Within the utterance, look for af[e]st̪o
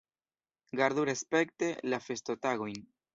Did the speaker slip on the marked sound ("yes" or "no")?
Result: no